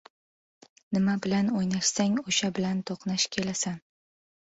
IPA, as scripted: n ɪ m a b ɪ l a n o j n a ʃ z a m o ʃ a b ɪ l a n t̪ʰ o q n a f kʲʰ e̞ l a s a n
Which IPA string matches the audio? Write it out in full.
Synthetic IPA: n ɪ m a b ɪ l a n o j n a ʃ s a ŋ o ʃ a b ɪ l a n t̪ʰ o q n a ʃ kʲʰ e̞ l a s a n